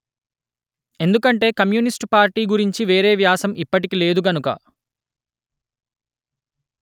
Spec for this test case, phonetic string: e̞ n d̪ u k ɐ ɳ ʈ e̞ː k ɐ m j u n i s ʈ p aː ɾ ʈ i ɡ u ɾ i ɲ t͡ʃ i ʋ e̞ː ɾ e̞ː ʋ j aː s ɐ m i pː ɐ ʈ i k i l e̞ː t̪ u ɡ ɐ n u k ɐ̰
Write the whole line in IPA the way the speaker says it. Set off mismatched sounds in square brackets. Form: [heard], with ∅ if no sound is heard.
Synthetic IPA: e̞ n d̪ u k ɐ ɳ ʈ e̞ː k ɐ m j u n i s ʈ p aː ɾ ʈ [iː] ɡ u ɾ i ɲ t͡ʃ i ʋ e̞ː ɾ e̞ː ʋ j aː s ɐ m i pː ɐ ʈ i k i l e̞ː [d̪] u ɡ ɐ n u k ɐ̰